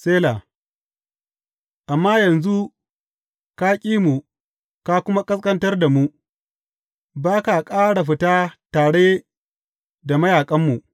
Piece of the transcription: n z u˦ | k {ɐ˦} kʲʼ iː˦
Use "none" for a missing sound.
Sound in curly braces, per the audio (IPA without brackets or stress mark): a˦